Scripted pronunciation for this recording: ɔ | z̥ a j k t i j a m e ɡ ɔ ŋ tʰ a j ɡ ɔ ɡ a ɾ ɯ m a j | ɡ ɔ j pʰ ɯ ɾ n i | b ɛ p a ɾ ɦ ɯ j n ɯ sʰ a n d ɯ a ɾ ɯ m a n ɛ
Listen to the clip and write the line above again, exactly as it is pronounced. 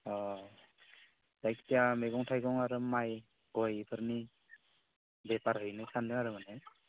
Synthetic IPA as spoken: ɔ | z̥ a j k t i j a m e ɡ ɔ ŋ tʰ a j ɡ ɔ ŋ a ɾ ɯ m a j | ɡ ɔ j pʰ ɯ ɾ n i | b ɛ p a ɾ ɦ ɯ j n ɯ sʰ a n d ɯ a ɾ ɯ m a n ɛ